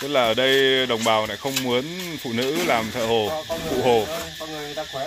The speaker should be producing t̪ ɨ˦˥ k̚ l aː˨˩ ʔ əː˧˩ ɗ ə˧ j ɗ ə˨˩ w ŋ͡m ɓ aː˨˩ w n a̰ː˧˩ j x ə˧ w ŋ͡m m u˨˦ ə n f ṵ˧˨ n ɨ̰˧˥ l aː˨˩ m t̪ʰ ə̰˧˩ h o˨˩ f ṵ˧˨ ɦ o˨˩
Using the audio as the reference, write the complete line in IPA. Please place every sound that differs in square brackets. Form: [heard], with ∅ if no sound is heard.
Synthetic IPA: t̪ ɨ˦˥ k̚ l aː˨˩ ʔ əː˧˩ ɗ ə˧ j ɗ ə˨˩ w ŋ͡m ɓ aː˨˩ w n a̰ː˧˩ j x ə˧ w ŋ͡m m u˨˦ ə n f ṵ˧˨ n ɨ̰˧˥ l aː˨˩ m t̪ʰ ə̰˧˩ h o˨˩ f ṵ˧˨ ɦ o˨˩